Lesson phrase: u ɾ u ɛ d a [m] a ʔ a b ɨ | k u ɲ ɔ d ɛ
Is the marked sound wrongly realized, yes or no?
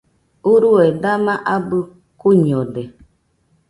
no